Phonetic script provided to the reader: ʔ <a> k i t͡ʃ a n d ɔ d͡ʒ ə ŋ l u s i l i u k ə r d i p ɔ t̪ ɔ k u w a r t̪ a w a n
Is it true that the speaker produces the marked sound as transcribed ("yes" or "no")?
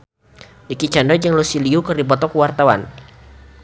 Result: no